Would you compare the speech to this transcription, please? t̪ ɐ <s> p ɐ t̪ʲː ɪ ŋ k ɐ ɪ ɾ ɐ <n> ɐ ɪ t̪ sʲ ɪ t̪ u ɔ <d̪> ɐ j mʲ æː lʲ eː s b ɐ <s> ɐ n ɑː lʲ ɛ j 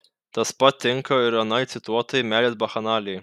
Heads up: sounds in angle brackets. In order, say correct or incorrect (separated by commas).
correct, correct, incorrect, incorrect